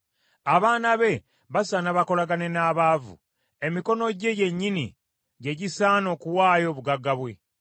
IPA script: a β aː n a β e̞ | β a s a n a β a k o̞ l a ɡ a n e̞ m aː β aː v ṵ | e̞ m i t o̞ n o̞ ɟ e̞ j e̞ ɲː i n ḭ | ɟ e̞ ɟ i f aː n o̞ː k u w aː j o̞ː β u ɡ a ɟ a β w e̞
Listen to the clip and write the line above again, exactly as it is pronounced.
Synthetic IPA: a β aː n a β e̞ | β a s a n a β a k o̞ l a ɡ a n e̞ n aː β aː v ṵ | e̞ m i k o̞ n o̞ ɟ e̞ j e̞ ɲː i n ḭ | ɟ e̞ ɟ i s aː n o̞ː k u w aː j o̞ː β u ɡ a ɡ a β w e̞